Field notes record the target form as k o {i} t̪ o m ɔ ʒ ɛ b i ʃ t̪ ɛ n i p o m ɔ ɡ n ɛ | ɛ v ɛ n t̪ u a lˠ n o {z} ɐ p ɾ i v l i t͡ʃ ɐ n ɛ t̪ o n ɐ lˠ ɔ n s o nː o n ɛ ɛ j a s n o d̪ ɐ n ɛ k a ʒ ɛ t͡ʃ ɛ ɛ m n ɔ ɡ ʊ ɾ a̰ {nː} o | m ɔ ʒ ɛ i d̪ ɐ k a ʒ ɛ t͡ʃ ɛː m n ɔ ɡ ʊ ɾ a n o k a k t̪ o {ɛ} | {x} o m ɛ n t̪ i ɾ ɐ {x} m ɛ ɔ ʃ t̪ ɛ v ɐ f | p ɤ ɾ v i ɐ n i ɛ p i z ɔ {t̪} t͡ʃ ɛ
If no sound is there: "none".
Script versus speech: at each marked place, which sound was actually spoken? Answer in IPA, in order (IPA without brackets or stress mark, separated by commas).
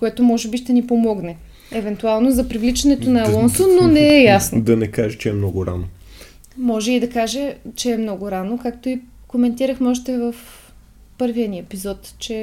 ɛ, z, n, i, k, x, t̪